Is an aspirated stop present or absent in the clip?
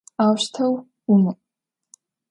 present